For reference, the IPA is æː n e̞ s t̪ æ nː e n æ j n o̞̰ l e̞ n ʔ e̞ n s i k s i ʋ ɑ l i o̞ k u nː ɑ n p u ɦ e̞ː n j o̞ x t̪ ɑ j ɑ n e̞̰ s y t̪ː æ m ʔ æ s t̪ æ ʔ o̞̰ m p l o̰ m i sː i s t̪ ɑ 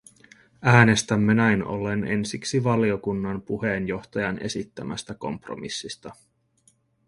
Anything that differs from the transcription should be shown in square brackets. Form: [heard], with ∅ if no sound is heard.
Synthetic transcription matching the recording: æː n e̞ s t̪ æ [mː] e n æ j n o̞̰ l e̞ n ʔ e̞ n s i k s i ʋ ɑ l i o̞ k u nː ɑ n p u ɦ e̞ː n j o̞ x t̪ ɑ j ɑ n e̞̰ s [i] t̪ː æ m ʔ æ s t̪ æ [k] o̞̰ m p [r] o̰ m i sː i s t̪ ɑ